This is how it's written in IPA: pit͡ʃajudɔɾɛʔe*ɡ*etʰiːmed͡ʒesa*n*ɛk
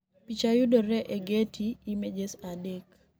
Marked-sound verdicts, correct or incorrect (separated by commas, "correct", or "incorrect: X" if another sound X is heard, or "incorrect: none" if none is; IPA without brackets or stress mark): correct, incorrect: d